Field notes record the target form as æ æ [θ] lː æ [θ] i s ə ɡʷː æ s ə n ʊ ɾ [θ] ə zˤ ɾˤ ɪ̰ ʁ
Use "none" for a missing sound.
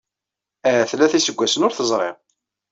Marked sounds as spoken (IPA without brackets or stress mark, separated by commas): θ, θ, θ